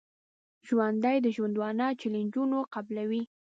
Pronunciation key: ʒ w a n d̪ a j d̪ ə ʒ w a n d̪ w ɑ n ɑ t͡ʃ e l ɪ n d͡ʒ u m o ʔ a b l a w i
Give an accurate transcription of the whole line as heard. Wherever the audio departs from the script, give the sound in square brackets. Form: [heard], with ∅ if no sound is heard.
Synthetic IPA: ʒ w a n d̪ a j d̪ ə ʒ w a n d̪ w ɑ n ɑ t͡ʃ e l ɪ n d͡ʒ u [n] o [q] a b l a w i